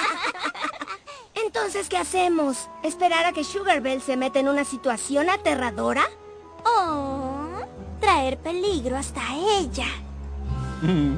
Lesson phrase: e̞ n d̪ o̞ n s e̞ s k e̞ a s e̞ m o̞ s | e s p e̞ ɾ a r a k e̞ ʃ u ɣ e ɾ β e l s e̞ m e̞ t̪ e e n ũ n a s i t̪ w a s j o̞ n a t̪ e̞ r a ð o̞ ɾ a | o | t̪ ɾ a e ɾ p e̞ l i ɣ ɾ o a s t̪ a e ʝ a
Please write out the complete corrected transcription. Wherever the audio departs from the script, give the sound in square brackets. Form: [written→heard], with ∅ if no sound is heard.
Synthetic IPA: e̞ n [d̪→t̪] o̞ n s e̞ s k e̞ a s e̞ m o̞ s | e s p e̞ ɾ a [r→ɾ] a k e̞ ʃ u ɣ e ɾ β e l s e̞ m e̞ t̪ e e n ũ n a s i t̪ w a s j o̞ n a t̪ e̞ r a ð o̞ ɾ a | o | t̪ ɾ a e ɾ p e̞ l i ɣ ɾ o a s t̪ a e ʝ a